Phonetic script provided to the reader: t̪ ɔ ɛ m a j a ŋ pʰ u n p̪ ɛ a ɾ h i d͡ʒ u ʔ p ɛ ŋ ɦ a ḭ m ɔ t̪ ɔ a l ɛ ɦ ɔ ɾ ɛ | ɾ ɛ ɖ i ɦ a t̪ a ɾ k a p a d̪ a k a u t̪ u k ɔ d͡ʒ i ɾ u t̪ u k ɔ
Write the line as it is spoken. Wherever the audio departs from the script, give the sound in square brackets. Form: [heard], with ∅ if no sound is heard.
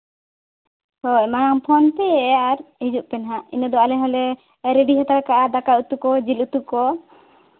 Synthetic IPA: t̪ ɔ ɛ m a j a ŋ pʰ [ɔ] n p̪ ɛ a ɾ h i d͡ʒ u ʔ p ɛ [n] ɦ a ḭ [n] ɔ [d̪] ɔ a l ɛ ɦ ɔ [l] ɛ | ɾ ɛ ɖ i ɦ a t̪ a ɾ k a [ʔ] a d̪ a k a u t̪ u k ɔ d͡ʒ i [l] u t̪ u k ɔ